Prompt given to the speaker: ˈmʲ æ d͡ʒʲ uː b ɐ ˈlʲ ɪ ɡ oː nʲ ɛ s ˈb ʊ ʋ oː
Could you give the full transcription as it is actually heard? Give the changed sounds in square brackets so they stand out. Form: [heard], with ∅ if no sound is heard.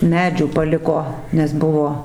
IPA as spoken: ˈmʲ [æː] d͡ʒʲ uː [p] ɐ ˈlʲ ɪ [k] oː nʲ ɛ s ˈb ʊ ʋ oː